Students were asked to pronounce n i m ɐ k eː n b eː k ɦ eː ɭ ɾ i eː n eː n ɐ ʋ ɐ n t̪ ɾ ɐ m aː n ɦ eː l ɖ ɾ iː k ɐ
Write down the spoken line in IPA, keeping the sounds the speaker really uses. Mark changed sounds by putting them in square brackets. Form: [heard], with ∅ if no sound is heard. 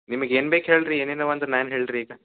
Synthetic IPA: n i m ɐ [ɡ] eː n b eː k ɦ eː ɭ ɾ i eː n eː n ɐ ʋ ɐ n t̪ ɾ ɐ [n] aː n ɦ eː [ɭ] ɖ ɾ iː [ɡ] ɐ